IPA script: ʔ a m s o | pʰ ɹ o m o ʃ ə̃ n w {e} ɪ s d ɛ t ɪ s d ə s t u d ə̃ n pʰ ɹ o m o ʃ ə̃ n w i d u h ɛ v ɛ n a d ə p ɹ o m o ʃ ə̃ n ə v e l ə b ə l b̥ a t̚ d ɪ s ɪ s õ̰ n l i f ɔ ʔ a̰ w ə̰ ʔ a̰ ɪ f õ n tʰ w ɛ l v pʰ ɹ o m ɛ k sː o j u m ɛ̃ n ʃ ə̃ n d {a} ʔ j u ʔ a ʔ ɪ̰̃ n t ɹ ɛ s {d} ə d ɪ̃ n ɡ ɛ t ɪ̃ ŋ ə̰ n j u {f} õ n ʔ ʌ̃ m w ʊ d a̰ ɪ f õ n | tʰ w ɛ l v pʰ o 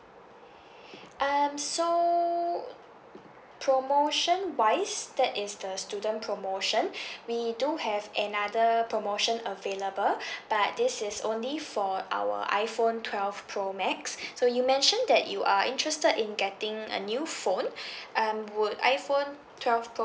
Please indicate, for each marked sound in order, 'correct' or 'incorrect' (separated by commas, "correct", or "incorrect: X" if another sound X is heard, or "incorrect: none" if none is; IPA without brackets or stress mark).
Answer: incorrect: a, incorrect: ɛ, incorrect: t, correct